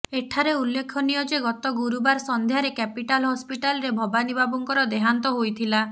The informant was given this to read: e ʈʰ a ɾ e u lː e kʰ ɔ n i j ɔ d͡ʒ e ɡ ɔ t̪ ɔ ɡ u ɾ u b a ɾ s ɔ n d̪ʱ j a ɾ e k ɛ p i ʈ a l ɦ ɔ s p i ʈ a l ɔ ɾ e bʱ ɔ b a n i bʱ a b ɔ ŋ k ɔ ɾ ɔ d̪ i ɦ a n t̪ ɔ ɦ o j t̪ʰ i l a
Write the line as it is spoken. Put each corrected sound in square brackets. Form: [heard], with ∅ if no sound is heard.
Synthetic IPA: e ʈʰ a ɾ e u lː e kʰ ɔ n i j ɔ d͡ʒ e ɡ ɔ t̪ ɔ ɡ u ɾ u b a ɾ s ɔ n d̪ʱ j a ɾ e k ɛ p i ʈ a l ɦ ɔ s p i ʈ a l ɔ ɾ e bʱ ɔ b a n i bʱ a b ɔ ŋ k ɔ ɾ ɔ d̪ [e] ɦ a n t̪ ɔ ɦ o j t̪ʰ i l a